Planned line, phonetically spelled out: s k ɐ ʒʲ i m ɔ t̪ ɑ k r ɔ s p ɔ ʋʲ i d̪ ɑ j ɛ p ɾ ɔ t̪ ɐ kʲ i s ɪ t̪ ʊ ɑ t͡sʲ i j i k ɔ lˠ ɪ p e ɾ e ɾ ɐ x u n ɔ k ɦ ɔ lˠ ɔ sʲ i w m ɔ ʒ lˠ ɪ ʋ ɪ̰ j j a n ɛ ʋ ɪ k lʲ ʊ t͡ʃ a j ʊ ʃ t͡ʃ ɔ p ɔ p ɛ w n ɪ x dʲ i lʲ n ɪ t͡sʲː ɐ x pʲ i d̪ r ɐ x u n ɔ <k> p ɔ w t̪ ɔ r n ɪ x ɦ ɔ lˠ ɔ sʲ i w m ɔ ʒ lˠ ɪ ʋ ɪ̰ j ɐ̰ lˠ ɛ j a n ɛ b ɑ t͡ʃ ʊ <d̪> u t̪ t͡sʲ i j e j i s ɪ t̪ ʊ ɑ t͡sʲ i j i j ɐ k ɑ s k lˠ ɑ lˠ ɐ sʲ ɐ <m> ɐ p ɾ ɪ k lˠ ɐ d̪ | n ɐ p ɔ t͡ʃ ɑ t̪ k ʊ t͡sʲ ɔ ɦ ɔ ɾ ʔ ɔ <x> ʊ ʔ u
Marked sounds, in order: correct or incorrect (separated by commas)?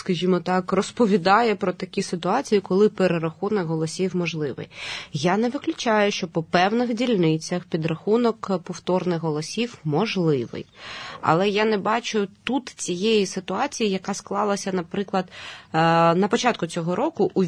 correct, incorrect, incorrect, incorrect